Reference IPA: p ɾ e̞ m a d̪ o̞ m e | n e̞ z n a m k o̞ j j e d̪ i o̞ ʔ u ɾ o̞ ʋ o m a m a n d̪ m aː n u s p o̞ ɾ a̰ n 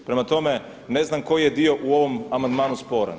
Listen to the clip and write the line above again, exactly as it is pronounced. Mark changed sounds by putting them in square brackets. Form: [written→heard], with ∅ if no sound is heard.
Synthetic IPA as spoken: p ɾ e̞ m a [d̪→t̪] o̞ m e | n e̞ z n a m k o̞ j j e d̪ i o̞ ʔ u [ɾ→∅] o̞ ʋ o m a m a n d̪ m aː n u s p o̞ ɾ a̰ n

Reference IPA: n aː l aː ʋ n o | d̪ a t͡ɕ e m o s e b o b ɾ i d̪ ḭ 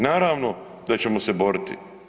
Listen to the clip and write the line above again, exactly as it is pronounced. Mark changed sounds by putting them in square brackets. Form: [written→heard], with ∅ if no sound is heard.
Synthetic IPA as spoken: n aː [l→ɾ] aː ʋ n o | d̪ a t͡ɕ e m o s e b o [b→∅] ɾ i [d̪→t̪] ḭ

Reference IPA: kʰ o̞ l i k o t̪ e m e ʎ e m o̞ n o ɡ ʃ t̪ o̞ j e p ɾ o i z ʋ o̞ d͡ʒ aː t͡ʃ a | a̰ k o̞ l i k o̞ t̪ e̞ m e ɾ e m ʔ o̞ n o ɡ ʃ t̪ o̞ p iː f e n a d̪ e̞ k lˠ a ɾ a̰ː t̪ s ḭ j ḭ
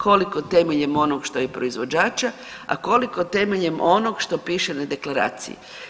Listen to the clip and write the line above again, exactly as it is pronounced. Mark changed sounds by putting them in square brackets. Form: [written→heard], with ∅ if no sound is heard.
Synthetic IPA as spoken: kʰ o̞ l i k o t̪ e m e ʎ e m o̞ n o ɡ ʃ t̪ o̞ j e p ɾ o i z ʋ o̞ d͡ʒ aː t͡ʃ a | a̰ k o̞ l i k o̞ t̪ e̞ m e [ɾ→ʎ] e m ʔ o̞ n o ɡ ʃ t̪ o̞ p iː [f→ʃ] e n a d̪ e̞ k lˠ a ɾ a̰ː t̪ s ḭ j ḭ

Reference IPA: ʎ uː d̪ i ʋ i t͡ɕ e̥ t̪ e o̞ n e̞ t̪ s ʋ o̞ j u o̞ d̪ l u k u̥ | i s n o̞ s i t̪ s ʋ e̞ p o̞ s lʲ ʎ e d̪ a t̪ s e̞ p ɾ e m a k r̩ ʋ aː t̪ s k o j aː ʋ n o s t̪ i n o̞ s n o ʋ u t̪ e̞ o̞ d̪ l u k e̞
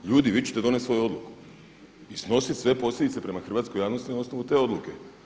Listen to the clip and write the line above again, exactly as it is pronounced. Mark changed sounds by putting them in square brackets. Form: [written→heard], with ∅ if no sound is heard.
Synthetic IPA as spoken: ʎ uː d̪ i ʋ i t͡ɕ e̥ t̪ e o̞ n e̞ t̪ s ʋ o̞ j u o̞ d̪ l u k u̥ | i s n o̞ s i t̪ s ʋ e̞ p o̞ s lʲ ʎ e d̪ [a→i] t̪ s e̞ p ɾ e m a [k→x] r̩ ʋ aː t̪ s k o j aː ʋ n o s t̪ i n o̞ s n o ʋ u t̪ e̞ o̞ d̪ l u k e̞

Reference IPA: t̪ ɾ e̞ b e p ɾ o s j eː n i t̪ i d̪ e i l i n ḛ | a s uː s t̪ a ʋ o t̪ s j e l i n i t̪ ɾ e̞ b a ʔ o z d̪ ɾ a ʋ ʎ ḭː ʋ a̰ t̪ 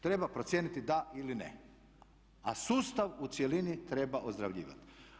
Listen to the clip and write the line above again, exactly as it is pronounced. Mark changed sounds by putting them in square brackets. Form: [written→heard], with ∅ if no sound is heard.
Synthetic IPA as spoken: t̪ ɾ e̞ b [e→a] p ɾ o s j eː n i t̪ i d̪ [e→a] i l i n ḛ | a s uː s t̪ a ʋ [o→u] t̪ s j e l i n i t̪ ɾ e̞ b a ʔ o z d̪ ɾ a ʋ ʎ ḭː ʋ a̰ t̪

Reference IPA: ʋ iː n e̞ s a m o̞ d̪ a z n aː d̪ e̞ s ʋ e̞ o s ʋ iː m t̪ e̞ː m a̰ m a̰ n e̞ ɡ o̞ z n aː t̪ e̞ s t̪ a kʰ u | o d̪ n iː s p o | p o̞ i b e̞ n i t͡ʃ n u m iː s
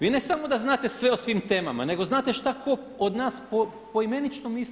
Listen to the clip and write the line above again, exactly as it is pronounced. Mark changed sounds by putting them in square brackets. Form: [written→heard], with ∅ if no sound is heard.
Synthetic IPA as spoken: ʋ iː n e̞ s a m o̞ d̪ a z n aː [d̪→t̪] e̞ s ʋ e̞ o s ʋ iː m t̪ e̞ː m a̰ m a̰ n e̞ ɡ o̞ z n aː t̪ e̞ [s→ʃ] t̪ a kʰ [u→o] | o d̪ n [iː→aː] s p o | p o̞ i [b→m] e̞ n i t͡ʃ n [u→o] m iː s

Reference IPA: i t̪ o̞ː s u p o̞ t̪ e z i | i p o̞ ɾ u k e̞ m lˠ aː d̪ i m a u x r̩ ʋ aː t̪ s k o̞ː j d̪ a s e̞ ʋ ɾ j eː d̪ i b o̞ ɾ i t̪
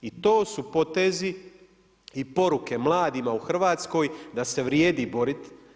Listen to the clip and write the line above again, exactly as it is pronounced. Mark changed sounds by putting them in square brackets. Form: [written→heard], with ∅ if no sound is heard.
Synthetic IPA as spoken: i t̪ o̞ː s u p o̞ t̪ e z i | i p o̞ ɾ u k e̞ m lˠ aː d̪ i m a u x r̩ ʋ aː t̪ s k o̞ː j d̪ a s e̞ ʋ ɾ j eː d̪ i b o̞ ɾ i t̪

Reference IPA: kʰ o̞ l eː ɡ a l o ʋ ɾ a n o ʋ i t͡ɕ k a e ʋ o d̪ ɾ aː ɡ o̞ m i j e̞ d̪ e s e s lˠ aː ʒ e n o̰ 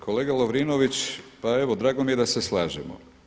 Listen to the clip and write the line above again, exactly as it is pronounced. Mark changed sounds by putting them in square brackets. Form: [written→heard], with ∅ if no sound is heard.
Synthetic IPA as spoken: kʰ o̞ l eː ɡ a l o ʋ ɾ [a→i] n o ʋ i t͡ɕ [k→p] a e ʋ o d̪ ɾ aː ɡ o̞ m i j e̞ d̪ [e→a] s e s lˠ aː ʒ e [n→m] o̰

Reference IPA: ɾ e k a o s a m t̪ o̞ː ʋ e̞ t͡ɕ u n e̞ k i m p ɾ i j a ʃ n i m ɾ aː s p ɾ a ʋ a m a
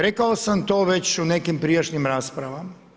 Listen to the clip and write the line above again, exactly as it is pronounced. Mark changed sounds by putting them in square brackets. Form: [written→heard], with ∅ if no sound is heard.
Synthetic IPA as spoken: ɾ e k a o s a m t̪ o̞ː ʋ e̞ t͡ɕ u n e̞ k i m p ɾ i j a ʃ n i m ɾ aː s p ɾ a ʋ a m a

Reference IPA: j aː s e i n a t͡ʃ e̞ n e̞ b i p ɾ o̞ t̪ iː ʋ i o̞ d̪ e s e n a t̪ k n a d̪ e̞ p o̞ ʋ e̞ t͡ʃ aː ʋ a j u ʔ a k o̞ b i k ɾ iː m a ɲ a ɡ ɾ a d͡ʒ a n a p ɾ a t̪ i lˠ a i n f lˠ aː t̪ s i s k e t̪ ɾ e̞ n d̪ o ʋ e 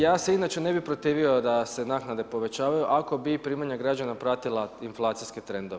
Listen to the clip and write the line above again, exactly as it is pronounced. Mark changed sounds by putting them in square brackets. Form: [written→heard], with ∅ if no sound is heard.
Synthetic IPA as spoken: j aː s e i n a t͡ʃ e̞ n e̞ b i p ɾ o̞ t̪ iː ʋ i o̞ d̪ [e→a] s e n a [t̪→∅] k n a d̪ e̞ p o̞ ʋ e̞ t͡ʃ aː ʋ a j u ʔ a k o̞ b i [k→p] ɾ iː m a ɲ a ɡ ɾ a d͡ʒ a n a p ɾ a t̪ i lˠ a i n f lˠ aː t̪ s i s k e t̪ ɾ e̞ n d̪ o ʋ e

